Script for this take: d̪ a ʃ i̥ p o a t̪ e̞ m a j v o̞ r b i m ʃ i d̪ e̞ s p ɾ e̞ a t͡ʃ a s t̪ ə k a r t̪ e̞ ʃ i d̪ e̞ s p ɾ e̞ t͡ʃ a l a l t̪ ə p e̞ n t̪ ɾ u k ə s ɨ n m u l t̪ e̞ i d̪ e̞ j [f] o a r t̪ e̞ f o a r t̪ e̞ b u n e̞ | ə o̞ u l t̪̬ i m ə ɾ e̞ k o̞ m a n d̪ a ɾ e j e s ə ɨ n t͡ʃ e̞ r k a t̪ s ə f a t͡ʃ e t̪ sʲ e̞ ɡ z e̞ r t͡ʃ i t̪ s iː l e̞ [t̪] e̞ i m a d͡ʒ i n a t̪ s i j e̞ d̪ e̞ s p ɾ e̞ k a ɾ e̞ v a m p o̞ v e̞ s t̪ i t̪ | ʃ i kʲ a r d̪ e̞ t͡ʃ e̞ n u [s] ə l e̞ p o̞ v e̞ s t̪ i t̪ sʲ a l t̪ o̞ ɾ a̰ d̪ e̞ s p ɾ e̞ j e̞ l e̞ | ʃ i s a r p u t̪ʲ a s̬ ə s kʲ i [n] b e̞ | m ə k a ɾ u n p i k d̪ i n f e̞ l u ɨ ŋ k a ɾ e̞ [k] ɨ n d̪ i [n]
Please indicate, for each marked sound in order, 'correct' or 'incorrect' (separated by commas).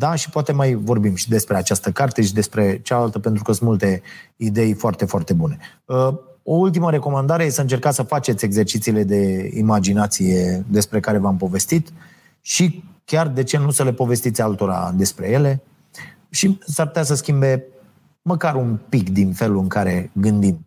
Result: correct, incorrect, correct, incorrect, incorrect, incorrect